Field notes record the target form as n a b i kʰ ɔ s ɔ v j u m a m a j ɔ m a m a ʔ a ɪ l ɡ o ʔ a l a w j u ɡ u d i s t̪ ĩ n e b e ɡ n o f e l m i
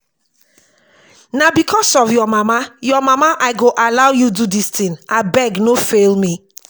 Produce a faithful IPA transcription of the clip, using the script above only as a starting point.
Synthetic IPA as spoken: n a b i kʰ ɔ s ɔ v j ɔ m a m a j ɔ m a m a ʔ a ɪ ɡ o ʔ a l a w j u d u d i s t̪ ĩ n a b ɛ ɡ n o f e l m i